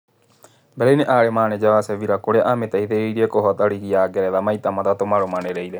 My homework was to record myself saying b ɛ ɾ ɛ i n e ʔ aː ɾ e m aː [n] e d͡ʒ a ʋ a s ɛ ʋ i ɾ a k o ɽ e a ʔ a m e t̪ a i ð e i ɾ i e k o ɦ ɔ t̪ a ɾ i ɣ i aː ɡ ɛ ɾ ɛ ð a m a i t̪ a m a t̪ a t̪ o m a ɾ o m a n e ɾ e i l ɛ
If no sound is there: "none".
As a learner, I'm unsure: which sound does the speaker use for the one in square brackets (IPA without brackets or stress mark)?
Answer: n